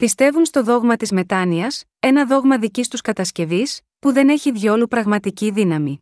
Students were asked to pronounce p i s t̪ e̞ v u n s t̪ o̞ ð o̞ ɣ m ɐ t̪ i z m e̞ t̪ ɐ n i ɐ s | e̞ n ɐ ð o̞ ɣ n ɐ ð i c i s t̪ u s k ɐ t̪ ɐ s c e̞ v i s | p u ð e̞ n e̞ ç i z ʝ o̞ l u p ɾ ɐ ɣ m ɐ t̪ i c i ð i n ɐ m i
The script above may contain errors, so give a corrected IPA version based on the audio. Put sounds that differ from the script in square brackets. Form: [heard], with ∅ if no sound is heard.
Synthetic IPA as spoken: p i s t̪ e̞ v u n s t̪ o̞ ð o̞ ɣ m ɐ t̪ i z m e̞ t̪ ɐ n i ɐ s | e̞ n ɐ ð o̞ ɣ [m] ɐ ð i c i s t̪ u s k ɐ t̪ ɐ s c e̞ v i s | p u ð e̞ n e̞ ç i [ð] ʝ o̞ l u p ɾ ɐ ɣ m ɐ t̪ i c i ð i n ɐ m i